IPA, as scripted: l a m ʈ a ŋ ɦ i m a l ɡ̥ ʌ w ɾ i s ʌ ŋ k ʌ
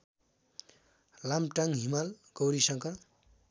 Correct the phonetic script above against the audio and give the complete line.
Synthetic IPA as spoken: l a m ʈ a ŋ ɦ i m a l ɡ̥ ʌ w ɾ i s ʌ ŋ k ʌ